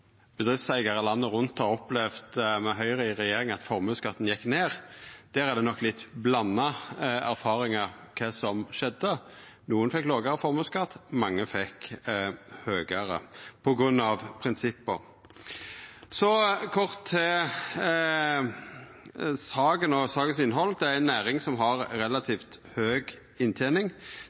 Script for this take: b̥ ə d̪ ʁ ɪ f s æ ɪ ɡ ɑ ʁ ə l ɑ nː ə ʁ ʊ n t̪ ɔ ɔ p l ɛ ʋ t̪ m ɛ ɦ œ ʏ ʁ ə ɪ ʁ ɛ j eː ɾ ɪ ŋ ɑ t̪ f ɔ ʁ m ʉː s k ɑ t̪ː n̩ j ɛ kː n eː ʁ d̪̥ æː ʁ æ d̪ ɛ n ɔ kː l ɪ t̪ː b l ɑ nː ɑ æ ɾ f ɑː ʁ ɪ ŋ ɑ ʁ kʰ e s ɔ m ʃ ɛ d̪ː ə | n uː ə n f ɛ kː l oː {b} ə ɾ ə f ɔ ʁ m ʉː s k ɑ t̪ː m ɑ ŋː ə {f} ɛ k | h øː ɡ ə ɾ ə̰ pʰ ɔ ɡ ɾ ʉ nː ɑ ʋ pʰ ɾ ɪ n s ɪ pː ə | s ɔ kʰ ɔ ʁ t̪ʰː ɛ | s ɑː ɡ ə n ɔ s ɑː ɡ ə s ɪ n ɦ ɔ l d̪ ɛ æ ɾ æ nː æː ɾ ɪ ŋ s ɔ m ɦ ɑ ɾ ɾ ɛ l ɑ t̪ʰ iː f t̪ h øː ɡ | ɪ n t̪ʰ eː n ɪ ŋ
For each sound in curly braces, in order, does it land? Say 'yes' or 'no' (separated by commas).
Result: no, yes